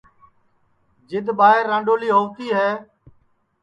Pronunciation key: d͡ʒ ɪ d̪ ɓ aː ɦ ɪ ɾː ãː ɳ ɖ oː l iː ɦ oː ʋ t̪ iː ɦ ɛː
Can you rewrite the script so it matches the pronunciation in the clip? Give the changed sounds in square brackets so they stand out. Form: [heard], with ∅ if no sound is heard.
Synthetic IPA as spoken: d͡ʒ ɪ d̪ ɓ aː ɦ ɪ ɾː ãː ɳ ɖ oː l iː ɦ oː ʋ t̪ iː ɦ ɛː